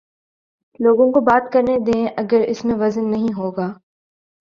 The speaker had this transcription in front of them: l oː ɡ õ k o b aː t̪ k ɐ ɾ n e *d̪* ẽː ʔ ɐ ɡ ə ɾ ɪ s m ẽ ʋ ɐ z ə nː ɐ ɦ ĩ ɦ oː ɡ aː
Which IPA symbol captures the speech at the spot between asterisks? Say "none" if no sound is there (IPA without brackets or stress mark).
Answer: d̪